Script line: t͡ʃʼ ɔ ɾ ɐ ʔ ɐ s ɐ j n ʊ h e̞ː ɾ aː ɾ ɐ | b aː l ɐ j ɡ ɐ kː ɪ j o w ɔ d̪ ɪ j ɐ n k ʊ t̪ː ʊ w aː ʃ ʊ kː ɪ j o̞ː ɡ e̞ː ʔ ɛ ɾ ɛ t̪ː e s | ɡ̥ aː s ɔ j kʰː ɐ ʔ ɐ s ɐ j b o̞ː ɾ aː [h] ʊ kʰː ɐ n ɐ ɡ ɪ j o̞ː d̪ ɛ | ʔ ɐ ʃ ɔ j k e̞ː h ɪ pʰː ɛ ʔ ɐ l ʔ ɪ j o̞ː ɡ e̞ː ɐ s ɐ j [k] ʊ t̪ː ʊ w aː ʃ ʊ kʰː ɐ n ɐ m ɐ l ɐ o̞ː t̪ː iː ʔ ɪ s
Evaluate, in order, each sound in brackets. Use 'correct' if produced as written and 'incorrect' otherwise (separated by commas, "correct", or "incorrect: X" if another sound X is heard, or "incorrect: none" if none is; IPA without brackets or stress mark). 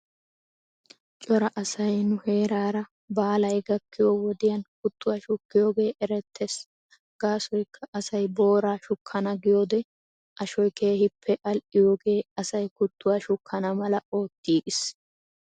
incorrect: ʃ, correct